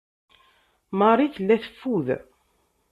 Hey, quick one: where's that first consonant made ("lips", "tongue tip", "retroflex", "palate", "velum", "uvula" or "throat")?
lips